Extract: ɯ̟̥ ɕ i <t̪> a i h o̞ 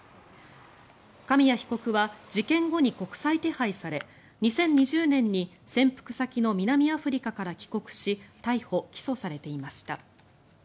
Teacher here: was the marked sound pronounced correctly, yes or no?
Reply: yes